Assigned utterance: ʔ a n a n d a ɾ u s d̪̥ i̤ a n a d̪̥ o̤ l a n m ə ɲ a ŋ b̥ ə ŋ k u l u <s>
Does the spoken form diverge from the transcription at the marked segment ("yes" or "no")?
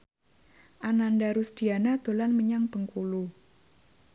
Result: yes